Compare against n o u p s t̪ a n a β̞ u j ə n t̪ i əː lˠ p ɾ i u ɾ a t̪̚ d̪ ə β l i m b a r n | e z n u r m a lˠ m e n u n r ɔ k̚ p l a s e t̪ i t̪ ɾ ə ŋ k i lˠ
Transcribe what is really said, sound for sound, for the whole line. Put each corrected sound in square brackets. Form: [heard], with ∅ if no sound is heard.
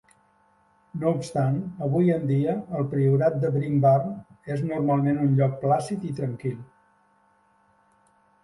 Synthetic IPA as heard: n o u p s t̪ a n [ə] β̞ u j ə n [d̪] i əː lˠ p ɾ i u ɾ a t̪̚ d̪ ə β [ɾ] i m b a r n | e z n u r m a lˠ m e n u n [ʎ] ɔ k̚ p l a s [i] t̪ i t̪ ɾ ə ŋ k i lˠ